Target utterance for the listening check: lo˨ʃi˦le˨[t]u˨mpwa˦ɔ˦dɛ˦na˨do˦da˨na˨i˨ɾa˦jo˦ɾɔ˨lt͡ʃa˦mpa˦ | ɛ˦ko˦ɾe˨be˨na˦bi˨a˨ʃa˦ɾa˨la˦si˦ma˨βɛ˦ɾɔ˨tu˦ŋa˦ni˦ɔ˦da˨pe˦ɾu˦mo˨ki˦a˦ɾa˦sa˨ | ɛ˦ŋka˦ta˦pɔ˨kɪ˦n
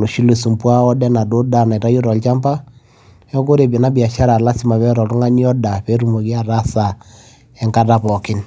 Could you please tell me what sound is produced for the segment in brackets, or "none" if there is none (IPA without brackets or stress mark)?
s